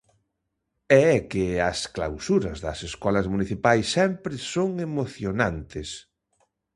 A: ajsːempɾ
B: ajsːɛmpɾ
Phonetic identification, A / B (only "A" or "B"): B